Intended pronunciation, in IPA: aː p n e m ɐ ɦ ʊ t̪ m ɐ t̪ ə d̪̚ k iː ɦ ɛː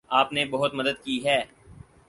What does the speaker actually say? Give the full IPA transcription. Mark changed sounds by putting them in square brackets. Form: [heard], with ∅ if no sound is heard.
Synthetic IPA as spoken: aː p n e [b] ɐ ɦ ʊ t̪ m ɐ [d̪] ə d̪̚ k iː ɦ ɛː

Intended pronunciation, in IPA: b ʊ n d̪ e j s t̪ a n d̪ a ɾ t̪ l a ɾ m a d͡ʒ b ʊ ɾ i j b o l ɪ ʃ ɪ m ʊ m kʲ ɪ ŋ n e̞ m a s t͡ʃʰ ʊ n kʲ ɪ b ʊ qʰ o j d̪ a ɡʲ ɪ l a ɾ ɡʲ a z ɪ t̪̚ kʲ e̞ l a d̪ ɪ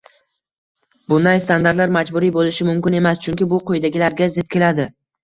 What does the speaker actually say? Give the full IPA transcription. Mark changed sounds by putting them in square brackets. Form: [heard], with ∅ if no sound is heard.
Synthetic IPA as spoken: b ʊ n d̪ [a] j s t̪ a n d̪ a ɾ t̪ l a ɾ m a d͡ʒ b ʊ ɾ i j b o l ɪ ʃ ɪ m ʊ m kʲ ɪ [∅] n e̞ m a s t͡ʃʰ ʊ [ŋ] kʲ ɪ b ʊ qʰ o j d̪ a ɡʲ ɪ l a ɾ ɡʲ a z ɪ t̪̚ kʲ e̞ l a d̪ ɪ

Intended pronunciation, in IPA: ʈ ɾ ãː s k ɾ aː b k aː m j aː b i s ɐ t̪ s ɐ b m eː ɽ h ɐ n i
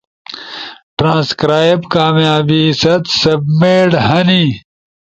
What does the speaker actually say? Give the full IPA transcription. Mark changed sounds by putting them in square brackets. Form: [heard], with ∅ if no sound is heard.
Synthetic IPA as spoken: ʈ ɾ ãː s k ɾ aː b k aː m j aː b i s ɐ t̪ s ɐ b m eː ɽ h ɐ n i

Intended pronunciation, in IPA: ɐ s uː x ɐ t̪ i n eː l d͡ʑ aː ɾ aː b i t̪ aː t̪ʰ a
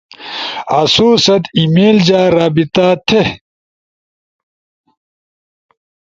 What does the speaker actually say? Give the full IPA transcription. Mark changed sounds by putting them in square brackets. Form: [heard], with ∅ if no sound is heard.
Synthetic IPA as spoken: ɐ s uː [s] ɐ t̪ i [m] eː l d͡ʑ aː ɾ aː b i t̪ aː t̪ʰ [e]

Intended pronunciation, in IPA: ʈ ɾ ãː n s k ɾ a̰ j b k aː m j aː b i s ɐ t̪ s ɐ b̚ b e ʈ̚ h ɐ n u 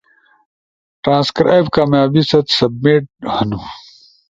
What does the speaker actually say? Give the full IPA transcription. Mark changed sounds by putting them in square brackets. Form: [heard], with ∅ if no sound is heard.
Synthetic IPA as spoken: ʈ ɾ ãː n s k ɾ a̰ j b k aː m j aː b i s ɐ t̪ s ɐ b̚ [m] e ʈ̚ h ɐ n u

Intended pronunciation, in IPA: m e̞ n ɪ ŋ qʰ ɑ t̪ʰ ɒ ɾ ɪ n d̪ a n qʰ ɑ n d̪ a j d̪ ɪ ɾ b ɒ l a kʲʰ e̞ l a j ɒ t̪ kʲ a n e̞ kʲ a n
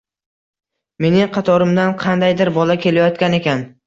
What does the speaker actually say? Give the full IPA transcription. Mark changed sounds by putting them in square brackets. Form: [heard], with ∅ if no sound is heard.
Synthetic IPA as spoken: m e̞ n ɪ ŋ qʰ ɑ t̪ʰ ɒ ɾ ɪ [m] d̪ a n qʰ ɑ n d̪ a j d̪ ɪ ɾ b ɒ l a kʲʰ e̞ l a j ɒ t̪ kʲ a n e̞ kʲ a n

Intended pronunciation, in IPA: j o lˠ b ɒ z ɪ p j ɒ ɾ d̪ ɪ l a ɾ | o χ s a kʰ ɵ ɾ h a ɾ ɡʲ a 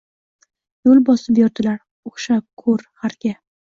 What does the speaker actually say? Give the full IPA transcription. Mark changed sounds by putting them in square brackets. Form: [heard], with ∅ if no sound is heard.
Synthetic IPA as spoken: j o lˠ b ɒ [s] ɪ p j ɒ ɾ d̪ ɪ l a ɾ | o χ [ʃ] a kʰ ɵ ɾ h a ɾ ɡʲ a

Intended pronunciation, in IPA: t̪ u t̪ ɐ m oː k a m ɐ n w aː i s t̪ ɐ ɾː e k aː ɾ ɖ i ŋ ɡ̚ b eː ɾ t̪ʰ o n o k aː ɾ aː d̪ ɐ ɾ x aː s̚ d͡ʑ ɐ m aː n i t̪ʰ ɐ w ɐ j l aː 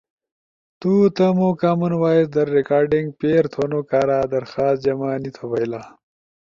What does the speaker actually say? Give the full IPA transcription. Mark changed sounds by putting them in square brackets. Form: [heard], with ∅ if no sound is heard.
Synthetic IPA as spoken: t̪ u t̪ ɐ m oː k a m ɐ n w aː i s [d̪] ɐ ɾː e k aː ɾ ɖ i ŋ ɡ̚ [p] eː ɾ t̪ʰ o n o k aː ɾ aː d̪ ɐ ɾ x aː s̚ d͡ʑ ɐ m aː n i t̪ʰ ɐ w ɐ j l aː

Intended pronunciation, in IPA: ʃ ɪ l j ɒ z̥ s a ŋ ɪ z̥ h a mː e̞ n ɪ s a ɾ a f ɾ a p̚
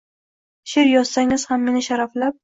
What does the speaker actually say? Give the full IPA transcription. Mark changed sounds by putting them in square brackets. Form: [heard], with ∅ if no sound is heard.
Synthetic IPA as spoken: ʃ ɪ [ɾ] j ɒ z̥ s a ŋ ɪ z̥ h a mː e̞ n ɪ [ʃ] a ɾ a f [l] a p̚

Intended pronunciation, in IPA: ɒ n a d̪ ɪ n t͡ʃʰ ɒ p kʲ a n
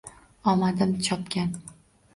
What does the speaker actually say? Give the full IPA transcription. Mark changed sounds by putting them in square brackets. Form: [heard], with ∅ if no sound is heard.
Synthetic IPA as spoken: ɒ [m] a d̪ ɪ [m] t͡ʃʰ ɒ p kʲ a n

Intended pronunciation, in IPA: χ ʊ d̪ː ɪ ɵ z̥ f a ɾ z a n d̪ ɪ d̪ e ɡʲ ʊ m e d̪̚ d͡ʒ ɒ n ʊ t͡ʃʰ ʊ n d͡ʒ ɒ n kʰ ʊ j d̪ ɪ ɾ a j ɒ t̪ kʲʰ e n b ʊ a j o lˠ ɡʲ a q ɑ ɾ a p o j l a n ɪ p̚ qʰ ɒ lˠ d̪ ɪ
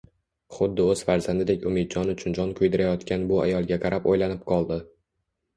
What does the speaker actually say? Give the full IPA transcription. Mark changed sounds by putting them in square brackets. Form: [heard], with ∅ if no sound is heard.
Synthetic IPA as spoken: χ ʊ d̪ː ɪ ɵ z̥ f a ɾ z a n d̪ ɪ d̪ e [kʲ] ʊ m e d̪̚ d͡ʒ ɒ n ʊ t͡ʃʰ ʊ n d͡ʒ ɒ n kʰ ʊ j d̪ ɪ ɾ a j ɒ t̪ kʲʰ [a] n b ʊ a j [ɒ] lˠ ɡʲ a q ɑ ɾ a p o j l a n ɪ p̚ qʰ ɒ lˠ d̪ ɪ

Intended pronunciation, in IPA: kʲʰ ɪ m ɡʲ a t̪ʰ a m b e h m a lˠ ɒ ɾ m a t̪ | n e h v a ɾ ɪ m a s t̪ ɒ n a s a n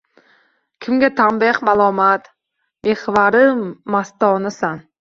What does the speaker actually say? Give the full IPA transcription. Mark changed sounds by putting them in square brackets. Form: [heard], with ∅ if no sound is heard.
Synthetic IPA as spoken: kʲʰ ɪ m ɡʲ a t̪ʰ a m b e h m a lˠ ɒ [∅] m a t̪ | [m] e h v a ɾ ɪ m a s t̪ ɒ n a s a n

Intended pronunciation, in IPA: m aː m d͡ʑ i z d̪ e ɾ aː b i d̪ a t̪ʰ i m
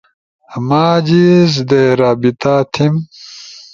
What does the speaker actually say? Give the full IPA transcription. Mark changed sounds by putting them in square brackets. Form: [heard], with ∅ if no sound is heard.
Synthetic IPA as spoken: m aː [∅] d͡ʑ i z d̪ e ɾ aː b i [t̪] a t̪ʰ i m

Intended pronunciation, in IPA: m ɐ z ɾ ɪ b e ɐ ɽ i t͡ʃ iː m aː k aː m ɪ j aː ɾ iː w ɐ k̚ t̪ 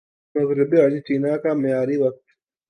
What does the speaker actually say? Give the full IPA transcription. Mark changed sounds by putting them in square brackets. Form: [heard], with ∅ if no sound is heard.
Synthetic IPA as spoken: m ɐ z ɾ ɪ b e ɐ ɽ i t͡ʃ iː [n] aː k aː m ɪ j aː ɾ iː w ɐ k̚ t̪

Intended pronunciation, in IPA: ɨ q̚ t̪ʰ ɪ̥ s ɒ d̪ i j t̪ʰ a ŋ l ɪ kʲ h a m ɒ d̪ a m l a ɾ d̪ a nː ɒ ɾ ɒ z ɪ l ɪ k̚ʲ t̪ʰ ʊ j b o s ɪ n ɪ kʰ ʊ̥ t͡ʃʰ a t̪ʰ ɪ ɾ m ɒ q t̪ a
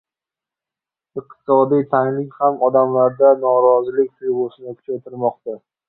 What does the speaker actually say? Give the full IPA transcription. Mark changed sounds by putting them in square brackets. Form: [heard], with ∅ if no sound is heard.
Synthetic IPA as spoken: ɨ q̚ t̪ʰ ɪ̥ s ɒ d̪ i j t̪ʰ a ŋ l ɪ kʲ h a m ɒ d̪ a m l a ɾ d̪ a [n] ɒ ɾ ɒ z ɪ l ɪ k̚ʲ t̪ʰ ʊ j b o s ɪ n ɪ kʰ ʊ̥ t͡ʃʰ a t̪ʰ ɪ ɾ m ɒ q t̪ a

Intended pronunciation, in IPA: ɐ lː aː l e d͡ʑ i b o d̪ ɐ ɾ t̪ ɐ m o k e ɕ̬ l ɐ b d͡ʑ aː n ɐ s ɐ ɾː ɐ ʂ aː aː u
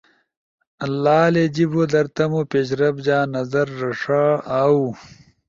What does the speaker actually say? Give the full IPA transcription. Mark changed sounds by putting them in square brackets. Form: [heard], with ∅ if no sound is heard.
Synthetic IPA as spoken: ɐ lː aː l e d͡ʑ i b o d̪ ɐ ɾ t̪ ɐ m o [p] e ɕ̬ [ɾ] ɐ b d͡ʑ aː n ɐ [z] ɐ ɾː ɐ ʂ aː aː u

